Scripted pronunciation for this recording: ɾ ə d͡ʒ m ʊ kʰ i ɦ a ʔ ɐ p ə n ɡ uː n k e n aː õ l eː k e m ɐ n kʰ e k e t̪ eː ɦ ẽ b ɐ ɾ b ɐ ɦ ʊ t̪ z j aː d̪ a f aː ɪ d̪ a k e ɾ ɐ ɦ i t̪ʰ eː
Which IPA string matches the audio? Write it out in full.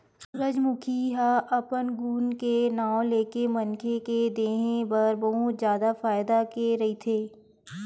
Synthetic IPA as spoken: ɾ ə d͡ʒ m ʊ kʰ i ɦ a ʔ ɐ p ə n ɡ uː n k e n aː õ l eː k e m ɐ n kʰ e k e d̪ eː ɦ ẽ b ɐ ɾ b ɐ ɦ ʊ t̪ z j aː d̪ a f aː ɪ d̪ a k e ɾ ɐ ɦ i t̪ʰ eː